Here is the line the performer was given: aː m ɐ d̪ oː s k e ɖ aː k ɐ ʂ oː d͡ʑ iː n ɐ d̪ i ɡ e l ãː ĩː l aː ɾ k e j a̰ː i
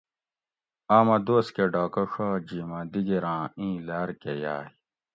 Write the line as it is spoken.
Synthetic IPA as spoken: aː m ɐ d̪ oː s k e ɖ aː k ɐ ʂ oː d͡ʑ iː m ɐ d̪ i ɡ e ɾ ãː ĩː l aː ɾ k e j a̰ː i